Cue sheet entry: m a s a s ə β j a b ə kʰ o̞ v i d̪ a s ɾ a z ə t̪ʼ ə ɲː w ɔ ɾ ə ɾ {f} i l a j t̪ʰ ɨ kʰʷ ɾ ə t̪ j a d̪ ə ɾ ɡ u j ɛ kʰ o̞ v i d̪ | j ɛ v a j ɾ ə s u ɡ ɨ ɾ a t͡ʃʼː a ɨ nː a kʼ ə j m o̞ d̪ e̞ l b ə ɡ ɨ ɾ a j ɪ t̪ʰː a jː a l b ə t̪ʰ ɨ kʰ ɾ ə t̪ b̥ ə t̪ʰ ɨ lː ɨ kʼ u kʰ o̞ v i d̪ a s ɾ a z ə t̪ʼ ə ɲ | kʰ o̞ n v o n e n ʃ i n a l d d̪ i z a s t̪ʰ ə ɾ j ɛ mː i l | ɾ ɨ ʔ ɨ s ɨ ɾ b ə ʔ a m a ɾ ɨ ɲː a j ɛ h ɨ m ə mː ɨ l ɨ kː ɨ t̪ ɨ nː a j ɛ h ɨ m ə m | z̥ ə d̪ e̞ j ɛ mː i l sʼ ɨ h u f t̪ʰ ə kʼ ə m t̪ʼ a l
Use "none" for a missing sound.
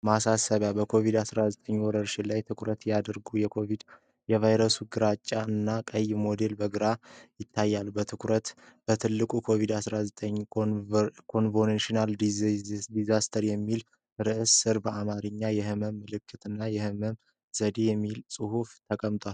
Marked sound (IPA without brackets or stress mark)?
ʃ